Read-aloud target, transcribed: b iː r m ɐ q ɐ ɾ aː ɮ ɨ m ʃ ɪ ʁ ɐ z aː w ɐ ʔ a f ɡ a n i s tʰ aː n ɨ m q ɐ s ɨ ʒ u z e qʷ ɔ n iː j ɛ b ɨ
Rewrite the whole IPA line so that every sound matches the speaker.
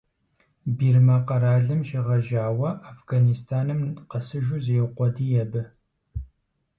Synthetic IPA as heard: b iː r m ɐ q ɐ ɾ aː ɮ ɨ m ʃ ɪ ʁ ɐ ʒ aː w ɐ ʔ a f ɡ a n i s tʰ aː n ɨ m q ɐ s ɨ ʒ u z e qʷ ɔ d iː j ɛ b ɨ